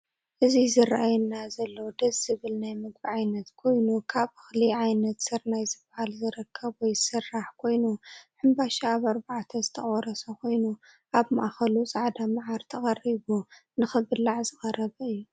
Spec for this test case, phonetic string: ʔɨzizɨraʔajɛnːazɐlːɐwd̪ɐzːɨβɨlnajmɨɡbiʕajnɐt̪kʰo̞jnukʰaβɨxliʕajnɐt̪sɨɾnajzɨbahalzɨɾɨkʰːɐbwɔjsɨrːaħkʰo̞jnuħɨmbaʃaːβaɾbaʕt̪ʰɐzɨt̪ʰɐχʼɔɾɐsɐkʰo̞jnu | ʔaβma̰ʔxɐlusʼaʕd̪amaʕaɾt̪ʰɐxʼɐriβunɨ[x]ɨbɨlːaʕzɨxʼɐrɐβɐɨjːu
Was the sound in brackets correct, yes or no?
yes